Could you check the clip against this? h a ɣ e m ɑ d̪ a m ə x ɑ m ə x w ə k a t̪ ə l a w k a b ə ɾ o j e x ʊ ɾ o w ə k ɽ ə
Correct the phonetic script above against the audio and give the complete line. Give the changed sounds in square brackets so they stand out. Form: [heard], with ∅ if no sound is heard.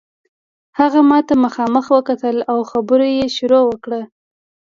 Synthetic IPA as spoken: h a ɣ [a] m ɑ [t̪] a m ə x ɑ m ə x w ə k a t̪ ə l a w [x] a b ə ɾ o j e [ʃ] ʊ ɾ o w ə k ɽ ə